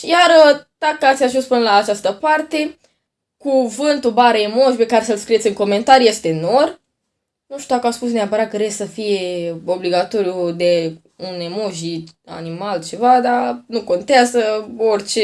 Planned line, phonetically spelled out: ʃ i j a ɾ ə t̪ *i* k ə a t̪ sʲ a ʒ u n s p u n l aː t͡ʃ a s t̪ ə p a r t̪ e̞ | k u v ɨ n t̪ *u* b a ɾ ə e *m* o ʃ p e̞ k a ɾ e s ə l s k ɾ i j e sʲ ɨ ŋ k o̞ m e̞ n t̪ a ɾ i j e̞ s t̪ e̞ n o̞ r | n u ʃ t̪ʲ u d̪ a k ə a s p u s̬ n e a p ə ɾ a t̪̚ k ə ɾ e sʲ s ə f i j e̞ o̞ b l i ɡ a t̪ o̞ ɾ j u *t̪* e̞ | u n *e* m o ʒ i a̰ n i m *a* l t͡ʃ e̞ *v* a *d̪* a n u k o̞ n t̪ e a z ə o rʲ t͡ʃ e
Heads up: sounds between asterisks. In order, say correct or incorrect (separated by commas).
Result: incorrect, correct, correct, incorrect, correct, correct, correct, correct